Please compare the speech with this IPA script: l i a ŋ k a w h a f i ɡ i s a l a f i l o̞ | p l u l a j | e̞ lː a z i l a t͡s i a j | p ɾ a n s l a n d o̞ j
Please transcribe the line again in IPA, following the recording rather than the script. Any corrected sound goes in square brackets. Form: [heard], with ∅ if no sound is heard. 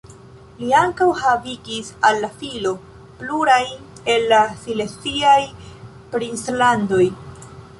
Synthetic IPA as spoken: l i a ŋ k a w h a [v] i ɡ i s a [lː] a f i l o̞ | p l u [ɾ] a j | e̞ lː a [s] i l [e] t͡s i a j | p ɾ [i] n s l a n d o̞ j